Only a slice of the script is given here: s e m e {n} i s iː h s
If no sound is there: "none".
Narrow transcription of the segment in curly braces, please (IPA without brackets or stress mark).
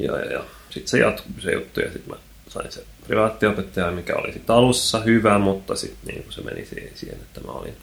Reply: n